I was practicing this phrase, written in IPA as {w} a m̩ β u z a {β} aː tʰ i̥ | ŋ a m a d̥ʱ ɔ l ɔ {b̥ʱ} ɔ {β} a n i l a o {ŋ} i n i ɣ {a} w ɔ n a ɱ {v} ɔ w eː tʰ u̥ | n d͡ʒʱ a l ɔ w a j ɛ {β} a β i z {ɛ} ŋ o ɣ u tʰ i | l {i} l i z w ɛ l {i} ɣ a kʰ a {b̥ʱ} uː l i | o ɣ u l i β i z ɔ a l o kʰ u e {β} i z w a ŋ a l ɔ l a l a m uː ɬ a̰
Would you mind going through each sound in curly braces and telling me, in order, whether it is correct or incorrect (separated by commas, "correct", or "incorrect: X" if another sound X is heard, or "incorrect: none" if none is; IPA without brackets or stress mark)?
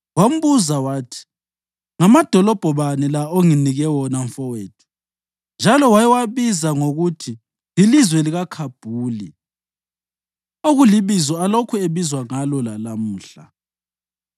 correct, incorrect: w, correct, correct, correct, incorrect: ɛ, incorrect: f, incorrect: w, incorrect: a, correct, correct, correct, correct